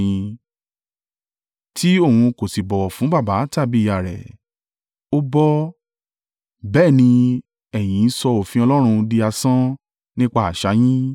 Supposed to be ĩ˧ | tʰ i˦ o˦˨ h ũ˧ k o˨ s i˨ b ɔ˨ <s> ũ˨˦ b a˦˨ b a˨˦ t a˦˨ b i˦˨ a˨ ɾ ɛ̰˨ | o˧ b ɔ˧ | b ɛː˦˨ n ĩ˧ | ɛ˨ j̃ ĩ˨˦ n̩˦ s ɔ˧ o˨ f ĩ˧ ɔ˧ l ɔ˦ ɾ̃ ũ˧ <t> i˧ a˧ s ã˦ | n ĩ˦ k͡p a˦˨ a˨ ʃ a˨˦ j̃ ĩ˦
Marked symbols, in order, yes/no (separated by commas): no, no